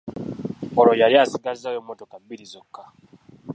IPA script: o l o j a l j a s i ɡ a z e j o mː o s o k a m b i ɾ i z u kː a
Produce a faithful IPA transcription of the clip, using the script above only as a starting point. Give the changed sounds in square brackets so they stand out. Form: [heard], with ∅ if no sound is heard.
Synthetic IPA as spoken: o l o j a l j a s i ɡ a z [a] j o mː o [t] o k a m b i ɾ i z [o] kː a